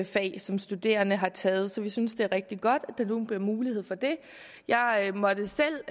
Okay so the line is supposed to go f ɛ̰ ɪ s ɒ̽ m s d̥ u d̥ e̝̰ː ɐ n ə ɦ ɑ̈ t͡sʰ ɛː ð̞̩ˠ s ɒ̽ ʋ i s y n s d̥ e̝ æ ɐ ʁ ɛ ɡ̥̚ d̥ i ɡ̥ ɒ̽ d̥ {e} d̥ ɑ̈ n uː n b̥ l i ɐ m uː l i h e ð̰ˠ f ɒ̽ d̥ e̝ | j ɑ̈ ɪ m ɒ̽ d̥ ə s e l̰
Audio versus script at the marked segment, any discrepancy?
yes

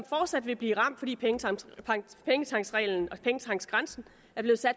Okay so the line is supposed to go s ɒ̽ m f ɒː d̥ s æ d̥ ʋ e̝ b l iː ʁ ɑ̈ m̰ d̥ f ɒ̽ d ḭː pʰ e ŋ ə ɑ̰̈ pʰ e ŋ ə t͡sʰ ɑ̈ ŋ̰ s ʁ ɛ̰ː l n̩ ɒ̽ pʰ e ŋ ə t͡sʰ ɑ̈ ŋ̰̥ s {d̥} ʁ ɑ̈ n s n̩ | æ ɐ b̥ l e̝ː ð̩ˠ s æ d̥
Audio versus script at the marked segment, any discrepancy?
yes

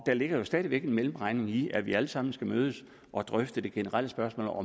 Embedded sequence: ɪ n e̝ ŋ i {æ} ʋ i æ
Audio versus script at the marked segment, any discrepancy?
no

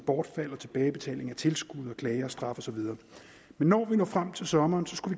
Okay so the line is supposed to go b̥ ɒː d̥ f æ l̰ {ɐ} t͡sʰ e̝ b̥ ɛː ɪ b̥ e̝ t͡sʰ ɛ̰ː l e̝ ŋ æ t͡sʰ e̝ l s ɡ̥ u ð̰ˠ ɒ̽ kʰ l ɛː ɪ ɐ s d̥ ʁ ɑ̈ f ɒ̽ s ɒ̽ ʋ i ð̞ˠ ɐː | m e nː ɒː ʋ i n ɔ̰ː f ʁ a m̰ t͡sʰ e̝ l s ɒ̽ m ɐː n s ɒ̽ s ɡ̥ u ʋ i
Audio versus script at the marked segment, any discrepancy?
no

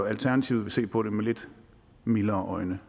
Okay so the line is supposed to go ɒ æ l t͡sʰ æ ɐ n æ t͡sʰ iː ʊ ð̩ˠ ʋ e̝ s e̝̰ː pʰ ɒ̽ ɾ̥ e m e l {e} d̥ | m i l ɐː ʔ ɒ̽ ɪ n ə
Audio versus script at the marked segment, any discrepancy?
no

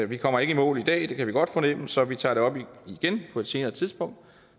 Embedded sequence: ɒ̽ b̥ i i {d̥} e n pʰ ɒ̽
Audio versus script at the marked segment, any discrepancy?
yes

